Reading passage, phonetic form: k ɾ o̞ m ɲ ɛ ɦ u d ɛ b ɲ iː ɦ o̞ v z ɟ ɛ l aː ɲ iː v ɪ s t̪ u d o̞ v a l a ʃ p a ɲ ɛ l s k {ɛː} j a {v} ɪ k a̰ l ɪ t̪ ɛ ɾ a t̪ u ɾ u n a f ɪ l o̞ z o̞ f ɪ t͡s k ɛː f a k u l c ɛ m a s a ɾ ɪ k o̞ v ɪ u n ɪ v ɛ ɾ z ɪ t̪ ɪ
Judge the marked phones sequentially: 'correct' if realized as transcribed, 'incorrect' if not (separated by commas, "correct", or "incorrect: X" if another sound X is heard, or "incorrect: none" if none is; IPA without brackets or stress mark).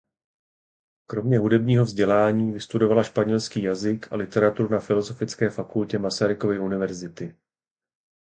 incorrect: iː, incorrect: z